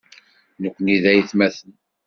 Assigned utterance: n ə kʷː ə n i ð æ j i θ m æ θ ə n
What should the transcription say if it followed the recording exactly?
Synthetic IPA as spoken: n ə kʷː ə n i ð æ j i θ m æ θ ə n